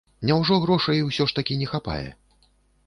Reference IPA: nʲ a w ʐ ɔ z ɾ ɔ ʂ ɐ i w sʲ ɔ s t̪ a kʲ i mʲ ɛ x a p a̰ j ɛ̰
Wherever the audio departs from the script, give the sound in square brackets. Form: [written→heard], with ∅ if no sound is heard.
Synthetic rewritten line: nʲ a w ʐ ɔ [z→ɣ] ɾ ɔ ʂ ɐ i w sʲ ɔ [s→ʂ] t̪ a kʲ i [mʲ→nʲ] ɛ x a p a̰ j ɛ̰